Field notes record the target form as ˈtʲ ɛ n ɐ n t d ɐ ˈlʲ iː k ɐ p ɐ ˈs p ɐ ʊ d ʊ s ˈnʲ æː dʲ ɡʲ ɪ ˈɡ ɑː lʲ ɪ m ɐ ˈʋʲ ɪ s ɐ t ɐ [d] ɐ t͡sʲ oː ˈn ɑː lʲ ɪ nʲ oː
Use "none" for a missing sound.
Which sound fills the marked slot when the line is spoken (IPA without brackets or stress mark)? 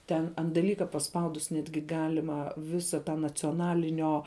n